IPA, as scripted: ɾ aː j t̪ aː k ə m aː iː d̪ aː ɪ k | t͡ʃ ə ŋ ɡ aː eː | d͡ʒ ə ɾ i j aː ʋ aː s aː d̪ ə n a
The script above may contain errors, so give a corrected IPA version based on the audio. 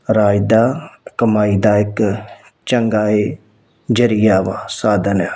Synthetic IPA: ɾ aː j d̪ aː k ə m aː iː d̪ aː ɪ k | t͡ʃ ə ŋ ɡ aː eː | d͡ʒ ə ɾ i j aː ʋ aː s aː d̪ ə n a

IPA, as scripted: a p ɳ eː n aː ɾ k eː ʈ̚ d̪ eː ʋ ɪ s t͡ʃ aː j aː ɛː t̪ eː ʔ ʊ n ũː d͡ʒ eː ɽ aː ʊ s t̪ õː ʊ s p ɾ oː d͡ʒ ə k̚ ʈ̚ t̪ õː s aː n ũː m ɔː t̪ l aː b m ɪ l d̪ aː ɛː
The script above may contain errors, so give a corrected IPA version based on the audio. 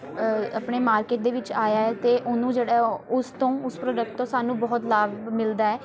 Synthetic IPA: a p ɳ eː m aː ɾ k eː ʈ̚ d̪ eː ʋ ɪ t͡ʃ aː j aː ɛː t̪ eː ʔ ʊ n ũː d͡ʒ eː ɽ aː ʊ s t̪ õː ʊ s p ɾ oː d͡ʒ ə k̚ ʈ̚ t̪ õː s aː n ũː b ɔː t̪ l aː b m ɪ l d̪ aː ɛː

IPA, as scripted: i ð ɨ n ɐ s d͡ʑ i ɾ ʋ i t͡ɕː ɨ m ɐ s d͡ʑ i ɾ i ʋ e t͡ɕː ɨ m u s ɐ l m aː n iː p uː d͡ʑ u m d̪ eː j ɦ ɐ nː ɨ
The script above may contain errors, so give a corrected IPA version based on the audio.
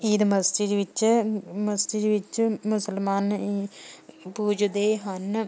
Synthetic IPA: i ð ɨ m ɐ s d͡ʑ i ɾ ʋ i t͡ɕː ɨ m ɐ s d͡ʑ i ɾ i ʋ i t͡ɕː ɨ m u s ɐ l m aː n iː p uː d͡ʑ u d̪ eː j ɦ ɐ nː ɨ

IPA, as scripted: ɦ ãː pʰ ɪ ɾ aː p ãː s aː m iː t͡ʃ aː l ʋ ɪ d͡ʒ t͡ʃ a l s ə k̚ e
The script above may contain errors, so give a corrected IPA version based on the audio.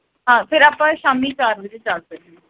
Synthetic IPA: ɦ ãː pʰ ɪ ɾ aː p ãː ʃ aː m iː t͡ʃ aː ɾ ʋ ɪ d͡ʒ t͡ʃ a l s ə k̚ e

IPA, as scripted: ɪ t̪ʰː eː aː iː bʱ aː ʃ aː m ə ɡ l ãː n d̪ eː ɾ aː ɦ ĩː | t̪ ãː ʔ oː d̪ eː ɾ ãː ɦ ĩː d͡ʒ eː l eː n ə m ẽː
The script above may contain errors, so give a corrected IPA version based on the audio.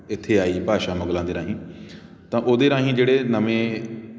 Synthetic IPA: ɪ t̪ʰː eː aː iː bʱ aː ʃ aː m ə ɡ l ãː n d̪ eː ɾ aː ɦ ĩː | t̪ ãː ʔ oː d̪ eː ɾ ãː ɦ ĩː d͡ʒ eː ɽ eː n ə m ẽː

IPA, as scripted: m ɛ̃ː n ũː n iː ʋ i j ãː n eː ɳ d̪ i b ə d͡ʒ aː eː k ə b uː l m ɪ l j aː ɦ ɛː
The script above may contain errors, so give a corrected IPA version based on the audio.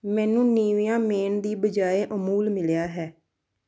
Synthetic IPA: m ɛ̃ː n ũː n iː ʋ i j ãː m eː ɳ d̪ iː b ə d͡ʒ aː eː ʔ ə m uː l m ɪ l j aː ɦ ɛː

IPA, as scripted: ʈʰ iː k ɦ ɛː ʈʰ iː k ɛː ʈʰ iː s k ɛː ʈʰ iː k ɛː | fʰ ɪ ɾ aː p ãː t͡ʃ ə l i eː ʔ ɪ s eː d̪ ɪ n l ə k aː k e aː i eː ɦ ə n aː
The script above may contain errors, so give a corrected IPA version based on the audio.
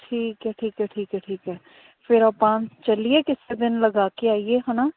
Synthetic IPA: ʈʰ iː k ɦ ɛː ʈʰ iː k ɛː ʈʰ iː k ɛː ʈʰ iː k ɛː | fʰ ɪ ɾ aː p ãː t͡ʃ ə l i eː k ɪ s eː d̪ ɪ n l ə ɡ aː k e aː i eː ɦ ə n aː

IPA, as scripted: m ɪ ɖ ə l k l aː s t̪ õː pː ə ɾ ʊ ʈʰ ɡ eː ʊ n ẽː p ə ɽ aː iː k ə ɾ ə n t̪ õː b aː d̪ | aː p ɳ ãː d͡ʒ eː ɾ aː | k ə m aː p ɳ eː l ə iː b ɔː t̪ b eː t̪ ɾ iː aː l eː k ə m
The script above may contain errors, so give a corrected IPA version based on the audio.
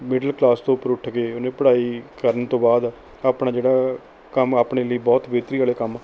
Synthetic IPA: m ɪ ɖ ə l k l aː s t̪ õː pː ə ɾ ʊ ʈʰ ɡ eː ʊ n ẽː p ə ɽ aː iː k ə ɾ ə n t̪ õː b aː d̪ | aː p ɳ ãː d͡ʒ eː ɽ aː | k ə m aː p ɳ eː l ə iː b ɔː t̪ b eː t̪ ɾ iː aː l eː k ə m

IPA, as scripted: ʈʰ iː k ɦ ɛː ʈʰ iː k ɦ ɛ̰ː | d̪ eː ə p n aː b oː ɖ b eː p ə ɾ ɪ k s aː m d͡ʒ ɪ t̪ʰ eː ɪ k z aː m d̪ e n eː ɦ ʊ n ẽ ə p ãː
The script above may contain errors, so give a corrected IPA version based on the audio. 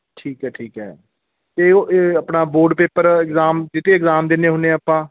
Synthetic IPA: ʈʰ iː k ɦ ɛː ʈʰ iː k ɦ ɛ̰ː | t̪ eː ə p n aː b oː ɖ p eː p ə ɾ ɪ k z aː m d͡ʒ ɪ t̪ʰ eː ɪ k z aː m d̪ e n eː ɦ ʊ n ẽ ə p ãː

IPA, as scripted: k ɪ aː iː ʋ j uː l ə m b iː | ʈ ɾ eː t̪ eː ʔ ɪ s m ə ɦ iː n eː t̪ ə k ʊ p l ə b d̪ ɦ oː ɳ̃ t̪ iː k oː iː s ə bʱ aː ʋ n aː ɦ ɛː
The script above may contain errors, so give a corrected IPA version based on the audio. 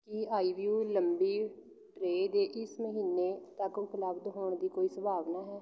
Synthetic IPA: k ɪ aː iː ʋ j uː l ə m b iː | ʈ ɾ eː d̪ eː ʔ ɪ s m ə ɦ iː n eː t̪ ə k ʊ p l ə b d̪ ɦ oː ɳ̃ d̪ iː k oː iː s ə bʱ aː ʋ n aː ɦ ɛː

